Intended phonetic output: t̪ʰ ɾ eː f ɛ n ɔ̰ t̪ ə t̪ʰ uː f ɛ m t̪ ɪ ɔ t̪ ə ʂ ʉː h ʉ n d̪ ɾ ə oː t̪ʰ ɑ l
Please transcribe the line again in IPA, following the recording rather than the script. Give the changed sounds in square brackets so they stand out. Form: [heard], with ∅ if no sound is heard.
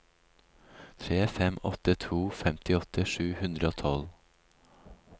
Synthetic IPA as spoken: t̪ʰ ɾ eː f ɛ [m] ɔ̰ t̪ ə t̪ʰ uː f ɛ m t̪ ɪ ɔ t̪ ə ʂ ʉː h ʉ n d̪ ɾ ə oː t̪ʰ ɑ l